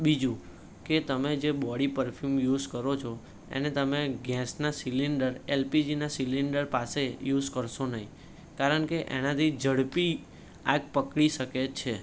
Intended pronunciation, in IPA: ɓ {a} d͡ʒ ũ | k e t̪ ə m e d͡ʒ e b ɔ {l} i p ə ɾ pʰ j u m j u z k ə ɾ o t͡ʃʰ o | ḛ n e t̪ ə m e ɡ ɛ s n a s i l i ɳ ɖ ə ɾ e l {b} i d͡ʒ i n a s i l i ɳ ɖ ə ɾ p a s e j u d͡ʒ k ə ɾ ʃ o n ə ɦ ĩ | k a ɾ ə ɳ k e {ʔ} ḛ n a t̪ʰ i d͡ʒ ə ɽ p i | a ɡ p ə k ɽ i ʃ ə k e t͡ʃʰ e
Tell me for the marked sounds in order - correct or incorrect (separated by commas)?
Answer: incorrect, incorrect, incorrect, correct